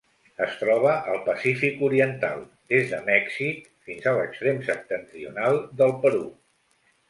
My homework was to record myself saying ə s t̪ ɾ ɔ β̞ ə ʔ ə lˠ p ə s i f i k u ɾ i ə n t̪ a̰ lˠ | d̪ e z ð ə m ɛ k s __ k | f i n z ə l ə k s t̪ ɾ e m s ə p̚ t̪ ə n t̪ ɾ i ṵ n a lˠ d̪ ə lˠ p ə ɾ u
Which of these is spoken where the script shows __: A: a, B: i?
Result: B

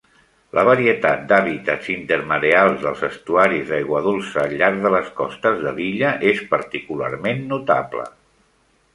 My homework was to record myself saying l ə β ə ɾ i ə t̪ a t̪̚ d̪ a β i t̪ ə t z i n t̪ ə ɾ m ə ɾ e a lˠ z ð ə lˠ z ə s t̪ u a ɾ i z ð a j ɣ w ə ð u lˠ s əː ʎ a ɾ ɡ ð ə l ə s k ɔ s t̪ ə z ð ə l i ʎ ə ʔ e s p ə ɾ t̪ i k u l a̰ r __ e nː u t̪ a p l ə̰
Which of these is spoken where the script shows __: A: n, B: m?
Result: B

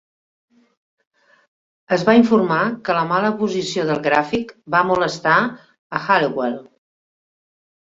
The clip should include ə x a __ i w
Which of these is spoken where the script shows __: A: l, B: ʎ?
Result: A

